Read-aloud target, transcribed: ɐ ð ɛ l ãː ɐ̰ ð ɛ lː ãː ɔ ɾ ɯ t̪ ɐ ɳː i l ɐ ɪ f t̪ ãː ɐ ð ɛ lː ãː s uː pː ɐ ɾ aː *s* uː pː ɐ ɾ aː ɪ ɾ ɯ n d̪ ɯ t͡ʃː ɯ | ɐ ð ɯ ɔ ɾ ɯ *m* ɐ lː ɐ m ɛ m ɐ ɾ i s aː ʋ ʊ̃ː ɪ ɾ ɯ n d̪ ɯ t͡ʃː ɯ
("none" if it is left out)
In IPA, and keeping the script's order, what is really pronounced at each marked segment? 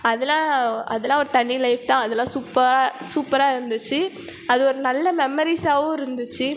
s, n

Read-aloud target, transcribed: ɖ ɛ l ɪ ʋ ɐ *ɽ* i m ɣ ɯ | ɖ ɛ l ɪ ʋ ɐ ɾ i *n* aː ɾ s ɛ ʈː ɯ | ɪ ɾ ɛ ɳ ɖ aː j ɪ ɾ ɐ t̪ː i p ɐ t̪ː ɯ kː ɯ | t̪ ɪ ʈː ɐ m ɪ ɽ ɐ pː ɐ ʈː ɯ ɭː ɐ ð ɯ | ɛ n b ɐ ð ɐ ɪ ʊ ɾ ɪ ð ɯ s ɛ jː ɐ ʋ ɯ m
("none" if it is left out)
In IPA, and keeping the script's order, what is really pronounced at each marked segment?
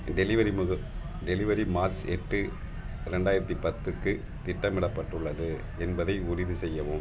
ɾ, m

